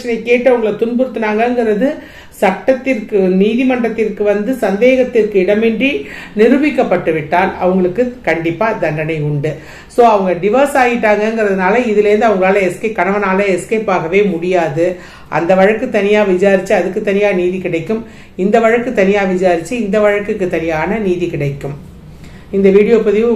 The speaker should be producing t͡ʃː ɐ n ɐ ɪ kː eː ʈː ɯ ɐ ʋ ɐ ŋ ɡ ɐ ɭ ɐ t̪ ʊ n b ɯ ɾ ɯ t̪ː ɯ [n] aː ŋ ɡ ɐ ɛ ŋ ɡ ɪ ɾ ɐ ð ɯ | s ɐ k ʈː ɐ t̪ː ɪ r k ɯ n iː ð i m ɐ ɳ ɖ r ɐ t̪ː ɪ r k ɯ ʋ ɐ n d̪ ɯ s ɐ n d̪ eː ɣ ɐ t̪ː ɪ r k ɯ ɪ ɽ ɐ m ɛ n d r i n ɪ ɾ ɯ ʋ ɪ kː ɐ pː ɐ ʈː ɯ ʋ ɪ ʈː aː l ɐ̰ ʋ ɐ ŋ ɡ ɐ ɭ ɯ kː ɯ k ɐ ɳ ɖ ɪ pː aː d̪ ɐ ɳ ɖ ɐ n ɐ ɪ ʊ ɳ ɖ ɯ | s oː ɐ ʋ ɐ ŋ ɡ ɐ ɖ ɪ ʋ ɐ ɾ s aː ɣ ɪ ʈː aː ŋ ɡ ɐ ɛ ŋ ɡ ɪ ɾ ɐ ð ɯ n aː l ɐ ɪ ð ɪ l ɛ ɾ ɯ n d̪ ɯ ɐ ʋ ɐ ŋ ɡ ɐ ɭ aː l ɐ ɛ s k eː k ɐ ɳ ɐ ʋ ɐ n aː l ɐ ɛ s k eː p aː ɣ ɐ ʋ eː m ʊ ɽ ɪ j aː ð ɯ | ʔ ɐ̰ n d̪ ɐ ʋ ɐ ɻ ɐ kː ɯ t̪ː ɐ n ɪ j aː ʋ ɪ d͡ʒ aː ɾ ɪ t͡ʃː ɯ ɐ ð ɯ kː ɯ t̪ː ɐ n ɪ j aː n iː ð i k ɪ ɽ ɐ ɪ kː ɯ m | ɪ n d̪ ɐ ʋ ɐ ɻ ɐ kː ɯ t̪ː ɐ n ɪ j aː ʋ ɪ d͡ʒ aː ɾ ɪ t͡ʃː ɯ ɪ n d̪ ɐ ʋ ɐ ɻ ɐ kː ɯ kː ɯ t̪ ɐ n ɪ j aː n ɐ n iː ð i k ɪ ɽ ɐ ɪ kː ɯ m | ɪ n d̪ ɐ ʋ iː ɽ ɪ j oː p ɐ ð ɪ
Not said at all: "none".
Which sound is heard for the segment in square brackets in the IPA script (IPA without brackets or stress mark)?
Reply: n